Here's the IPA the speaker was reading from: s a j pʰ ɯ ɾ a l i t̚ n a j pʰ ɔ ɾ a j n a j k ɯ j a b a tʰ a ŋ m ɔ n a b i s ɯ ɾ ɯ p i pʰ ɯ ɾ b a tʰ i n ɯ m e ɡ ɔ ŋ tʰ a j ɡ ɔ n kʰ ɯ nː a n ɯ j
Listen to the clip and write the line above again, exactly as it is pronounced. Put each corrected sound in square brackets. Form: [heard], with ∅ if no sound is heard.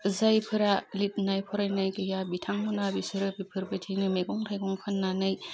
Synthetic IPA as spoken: [z] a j pʰ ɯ ɾ a l i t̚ n a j pʰ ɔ ɾ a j n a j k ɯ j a b [i] tʰ a ŋ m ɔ n a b i s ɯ ɾ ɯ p i pʰ ɯ ɾ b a tʰ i n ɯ m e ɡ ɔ ŋ tʰ a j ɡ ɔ [ŋ] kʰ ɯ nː a n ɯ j